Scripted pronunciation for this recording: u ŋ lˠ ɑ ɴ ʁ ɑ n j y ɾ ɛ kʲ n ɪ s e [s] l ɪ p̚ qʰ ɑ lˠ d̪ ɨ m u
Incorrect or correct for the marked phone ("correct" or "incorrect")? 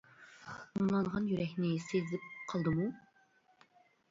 incorrect